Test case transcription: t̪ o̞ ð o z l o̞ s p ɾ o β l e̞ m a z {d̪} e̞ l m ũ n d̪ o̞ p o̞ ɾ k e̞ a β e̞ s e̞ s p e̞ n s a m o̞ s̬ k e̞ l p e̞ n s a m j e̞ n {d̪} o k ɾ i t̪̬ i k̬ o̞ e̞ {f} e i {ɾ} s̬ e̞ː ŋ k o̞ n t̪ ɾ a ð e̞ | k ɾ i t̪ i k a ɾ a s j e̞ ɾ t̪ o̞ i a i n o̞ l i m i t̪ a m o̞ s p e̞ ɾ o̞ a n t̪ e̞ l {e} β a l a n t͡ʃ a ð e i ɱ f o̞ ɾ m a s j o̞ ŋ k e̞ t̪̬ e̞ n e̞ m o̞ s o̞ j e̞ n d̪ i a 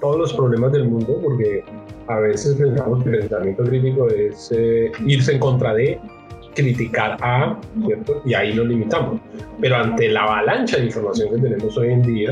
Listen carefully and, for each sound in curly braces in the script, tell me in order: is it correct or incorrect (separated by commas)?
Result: correct, incorrect, incorrect, correct, incorrect